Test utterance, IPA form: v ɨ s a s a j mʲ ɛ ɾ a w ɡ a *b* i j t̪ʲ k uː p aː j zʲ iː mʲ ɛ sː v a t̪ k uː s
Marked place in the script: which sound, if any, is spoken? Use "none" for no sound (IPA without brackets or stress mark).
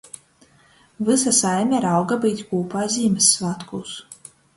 b